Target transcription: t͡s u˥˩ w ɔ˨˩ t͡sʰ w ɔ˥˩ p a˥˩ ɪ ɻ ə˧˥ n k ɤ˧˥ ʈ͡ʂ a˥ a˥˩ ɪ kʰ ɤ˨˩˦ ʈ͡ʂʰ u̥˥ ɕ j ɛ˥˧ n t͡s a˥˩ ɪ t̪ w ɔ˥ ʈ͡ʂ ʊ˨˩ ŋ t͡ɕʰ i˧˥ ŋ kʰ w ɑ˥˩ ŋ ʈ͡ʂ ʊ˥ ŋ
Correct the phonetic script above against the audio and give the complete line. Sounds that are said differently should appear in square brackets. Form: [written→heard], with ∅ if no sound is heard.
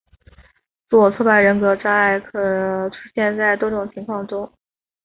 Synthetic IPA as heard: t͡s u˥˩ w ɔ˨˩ t͡sʰ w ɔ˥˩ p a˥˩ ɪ ɻ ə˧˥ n k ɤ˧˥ ʈ͡ʂ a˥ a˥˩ ɪ kʰ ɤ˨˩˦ ʈ͡ʂʰ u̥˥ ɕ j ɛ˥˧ n t͡s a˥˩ ɪ t̪ w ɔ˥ ʈ͡ʂ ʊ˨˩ ŋ t͡ɕʰ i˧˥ ŋ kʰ w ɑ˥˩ ŋ ʈ͡ʂ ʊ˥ ŋ